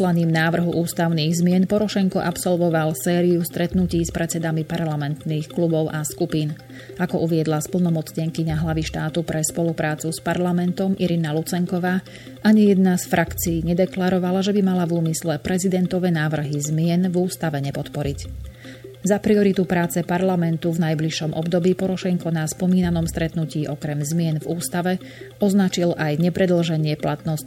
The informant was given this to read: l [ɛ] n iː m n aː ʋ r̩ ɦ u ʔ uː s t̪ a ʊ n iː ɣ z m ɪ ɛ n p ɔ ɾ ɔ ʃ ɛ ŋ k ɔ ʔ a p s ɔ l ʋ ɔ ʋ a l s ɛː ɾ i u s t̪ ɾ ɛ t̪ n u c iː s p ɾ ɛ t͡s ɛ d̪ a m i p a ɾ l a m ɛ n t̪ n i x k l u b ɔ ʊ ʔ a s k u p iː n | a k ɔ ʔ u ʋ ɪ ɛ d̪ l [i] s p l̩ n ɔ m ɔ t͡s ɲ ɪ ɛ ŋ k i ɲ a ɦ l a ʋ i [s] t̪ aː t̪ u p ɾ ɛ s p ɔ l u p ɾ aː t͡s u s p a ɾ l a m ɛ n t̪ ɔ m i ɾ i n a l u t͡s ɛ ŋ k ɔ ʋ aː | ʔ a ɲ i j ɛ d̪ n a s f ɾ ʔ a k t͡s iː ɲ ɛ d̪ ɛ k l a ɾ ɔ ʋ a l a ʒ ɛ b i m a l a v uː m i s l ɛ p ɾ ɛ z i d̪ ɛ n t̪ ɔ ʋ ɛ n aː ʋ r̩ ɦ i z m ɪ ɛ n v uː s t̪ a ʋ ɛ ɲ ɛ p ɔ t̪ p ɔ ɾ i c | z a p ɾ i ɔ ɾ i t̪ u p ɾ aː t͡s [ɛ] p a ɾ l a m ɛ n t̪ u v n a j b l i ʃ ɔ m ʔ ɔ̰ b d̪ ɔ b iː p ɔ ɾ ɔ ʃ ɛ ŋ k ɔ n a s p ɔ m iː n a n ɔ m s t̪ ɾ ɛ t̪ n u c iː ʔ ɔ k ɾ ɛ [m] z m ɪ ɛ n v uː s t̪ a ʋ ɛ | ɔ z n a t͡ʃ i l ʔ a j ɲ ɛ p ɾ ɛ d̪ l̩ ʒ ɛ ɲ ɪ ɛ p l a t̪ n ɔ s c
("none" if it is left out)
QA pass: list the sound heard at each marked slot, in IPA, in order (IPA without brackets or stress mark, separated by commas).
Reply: a, a, ʃ, ɛ, m